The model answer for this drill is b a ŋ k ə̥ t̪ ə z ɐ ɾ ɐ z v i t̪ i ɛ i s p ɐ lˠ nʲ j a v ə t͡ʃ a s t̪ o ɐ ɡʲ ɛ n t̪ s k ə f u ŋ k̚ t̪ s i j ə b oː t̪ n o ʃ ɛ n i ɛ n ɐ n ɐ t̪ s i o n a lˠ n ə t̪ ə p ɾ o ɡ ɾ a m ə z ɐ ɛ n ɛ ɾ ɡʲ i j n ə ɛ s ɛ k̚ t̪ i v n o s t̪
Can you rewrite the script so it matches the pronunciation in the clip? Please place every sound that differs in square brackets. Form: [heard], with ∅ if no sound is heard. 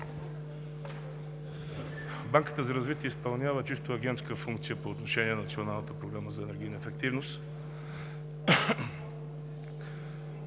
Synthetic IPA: b a ŋ k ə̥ t̪ ə z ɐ ɾ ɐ z v i t̪ i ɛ i s p ɐ lˠ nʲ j a v ə t͡ʃ [i] s t̪ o ɐ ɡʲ ɛ n t̪ s k ə f u ŋ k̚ t̪ s i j ə [p] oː t̪ n o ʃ ɛ n i ɛ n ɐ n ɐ t̪ s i o n a lˠ n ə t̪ ə p ɾ o ɡ ɾ a m ə z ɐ ɛ n ɛ ɾ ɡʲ i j n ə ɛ [f] ɛ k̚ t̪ i v n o s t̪